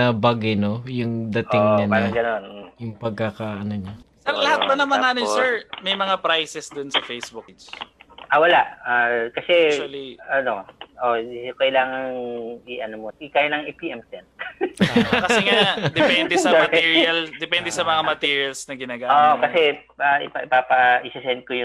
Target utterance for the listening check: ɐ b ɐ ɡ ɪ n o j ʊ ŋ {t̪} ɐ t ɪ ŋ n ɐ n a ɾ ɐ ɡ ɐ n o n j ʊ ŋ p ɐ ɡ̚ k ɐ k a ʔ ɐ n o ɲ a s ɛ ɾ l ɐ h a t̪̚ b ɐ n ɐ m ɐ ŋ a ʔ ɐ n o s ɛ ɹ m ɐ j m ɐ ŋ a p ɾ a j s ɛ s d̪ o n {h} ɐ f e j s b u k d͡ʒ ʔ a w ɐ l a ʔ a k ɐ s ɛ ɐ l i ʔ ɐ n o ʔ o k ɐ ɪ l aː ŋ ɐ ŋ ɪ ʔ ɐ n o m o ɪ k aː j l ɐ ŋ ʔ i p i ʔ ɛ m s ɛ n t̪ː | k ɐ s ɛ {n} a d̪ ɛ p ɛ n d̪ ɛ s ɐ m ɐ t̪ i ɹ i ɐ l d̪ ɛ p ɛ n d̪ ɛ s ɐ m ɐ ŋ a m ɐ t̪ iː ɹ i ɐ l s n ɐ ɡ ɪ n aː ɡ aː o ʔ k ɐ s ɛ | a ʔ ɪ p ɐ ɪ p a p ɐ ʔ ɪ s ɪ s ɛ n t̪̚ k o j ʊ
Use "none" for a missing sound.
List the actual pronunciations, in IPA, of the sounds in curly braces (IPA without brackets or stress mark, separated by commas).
d̪, s, ŋ